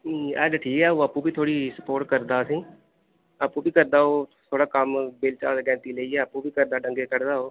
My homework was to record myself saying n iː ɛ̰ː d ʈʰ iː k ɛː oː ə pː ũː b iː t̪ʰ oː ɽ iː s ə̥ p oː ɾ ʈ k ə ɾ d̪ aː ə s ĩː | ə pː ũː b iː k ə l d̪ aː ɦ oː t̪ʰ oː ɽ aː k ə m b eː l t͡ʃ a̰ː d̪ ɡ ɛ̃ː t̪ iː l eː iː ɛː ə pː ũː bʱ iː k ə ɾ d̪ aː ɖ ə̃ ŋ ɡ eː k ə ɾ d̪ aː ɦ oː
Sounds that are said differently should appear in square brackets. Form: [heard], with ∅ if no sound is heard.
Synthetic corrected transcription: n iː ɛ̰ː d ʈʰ iː k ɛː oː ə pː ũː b iː t̪ʰ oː ɽ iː s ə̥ p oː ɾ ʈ k ə ɾ d̪ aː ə s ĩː | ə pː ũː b iː k ə [ɾ] d̪ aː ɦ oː t̪ʰ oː ɽ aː k ə m b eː l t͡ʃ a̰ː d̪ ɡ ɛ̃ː t̪ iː l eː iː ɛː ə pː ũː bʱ iː k ə ɾ d̪ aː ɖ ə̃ ŋ ɡ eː k ə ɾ d̪ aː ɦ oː